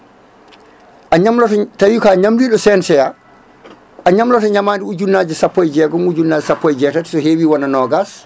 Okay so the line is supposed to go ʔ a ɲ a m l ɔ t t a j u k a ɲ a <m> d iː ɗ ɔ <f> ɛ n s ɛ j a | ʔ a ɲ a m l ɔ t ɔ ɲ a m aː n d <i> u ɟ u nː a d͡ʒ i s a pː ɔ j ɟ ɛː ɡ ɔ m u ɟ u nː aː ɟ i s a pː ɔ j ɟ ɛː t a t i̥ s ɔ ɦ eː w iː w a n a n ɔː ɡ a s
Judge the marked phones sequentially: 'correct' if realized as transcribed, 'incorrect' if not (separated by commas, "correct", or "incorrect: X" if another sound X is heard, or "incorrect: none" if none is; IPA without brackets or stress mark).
correct, incorrect: s, correct